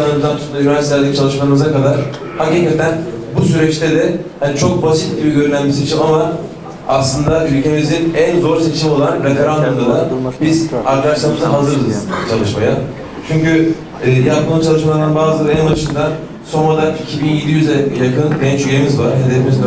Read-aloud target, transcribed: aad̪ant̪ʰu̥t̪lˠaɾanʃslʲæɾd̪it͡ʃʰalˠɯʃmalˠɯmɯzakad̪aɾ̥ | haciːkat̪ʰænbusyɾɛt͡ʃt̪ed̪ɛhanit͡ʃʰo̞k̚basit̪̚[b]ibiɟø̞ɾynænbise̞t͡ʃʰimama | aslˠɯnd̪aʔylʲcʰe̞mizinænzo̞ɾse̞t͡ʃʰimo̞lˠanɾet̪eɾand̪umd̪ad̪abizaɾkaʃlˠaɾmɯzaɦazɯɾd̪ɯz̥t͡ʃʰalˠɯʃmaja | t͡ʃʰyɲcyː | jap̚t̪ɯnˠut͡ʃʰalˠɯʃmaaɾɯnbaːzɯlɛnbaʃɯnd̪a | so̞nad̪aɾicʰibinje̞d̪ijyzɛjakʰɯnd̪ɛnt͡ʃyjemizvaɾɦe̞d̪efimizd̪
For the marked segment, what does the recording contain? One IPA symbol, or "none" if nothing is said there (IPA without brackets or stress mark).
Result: ɟ